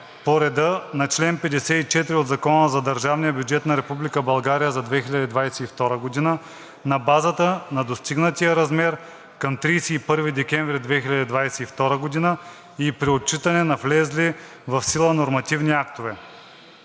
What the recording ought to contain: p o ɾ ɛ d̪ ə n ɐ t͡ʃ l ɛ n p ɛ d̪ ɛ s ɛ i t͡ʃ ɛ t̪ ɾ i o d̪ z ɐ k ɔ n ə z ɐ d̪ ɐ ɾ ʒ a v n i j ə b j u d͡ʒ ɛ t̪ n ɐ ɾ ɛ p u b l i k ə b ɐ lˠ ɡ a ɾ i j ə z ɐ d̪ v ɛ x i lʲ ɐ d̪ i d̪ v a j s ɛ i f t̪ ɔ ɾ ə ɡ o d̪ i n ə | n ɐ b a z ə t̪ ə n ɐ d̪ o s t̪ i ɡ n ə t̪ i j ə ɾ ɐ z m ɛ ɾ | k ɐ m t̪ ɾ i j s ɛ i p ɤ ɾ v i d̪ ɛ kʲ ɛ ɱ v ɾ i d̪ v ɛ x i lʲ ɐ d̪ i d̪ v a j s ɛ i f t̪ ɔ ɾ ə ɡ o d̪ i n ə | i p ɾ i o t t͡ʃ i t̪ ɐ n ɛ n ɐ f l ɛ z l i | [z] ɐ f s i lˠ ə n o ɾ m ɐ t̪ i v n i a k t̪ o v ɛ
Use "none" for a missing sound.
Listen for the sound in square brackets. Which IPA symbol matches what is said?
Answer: v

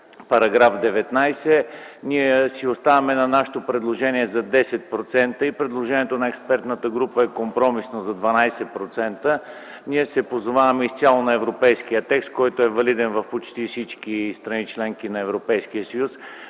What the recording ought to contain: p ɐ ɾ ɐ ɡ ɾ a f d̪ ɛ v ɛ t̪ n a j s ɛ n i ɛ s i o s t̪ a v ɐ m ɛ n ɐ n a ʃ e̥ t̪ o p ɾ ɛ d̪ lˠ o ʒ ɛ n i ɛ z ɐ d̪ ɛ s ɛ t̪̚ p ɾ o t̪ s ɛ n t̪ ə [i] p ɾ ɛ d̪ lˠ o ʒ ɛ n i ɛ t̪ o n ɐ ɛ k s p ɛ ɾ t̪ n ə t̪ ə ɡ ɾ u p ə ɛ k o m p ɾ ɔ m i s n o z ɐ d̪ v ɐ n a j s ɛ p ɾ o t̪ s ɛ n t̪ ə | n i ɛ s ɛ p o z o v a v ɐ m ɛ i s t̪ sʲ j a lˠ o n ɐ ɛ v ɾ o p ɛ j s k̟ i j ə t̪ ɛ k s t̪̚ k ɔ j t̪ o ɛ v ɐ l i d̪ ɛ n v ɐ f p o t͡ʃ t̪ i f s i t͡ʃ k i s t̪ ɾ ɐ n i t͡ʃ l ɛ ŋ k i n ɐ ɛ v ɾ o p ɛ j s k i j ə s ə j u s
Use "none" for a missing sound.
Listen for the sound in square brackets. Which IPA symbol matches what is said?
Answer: i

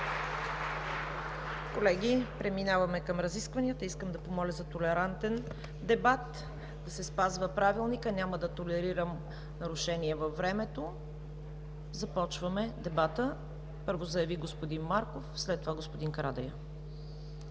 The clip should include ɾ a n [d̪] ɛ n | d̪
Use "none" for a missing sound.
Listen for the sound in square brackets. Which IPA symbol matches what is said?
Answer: t̪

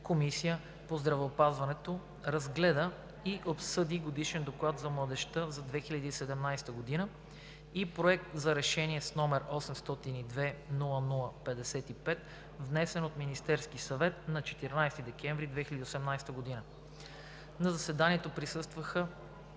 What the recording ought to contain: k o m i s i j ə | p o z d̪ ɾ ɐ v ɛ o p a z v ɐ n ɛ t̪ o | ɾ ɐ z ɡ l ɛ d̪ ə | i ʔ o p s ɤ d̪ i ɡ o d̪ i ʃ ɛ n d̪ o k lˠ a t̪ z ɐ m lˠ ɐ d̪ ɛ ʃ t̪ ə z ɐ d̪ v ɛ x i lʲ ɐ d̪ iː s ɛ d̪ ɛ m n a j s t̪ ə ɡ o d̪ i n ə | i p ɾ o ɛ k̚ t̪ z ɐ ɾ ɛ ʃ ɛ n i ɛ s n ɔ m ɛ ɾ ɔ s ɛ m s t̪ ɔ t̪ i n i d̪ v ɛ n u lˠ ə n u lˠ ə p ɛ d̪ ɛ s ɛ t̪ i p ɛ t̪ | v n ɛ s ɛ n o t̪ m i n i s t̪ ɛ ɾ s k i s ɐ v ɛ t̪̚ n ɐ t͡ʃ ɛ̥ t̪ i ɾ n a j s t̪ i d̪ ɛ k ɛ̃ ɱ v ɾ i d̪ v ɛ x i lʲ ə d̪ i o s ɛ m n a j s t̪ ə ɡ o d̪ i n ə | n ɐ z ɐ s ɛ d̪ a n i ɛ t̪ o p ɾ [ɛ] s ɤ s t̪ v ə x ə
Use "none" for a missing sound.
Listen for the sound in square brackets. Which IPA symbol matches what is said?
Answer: i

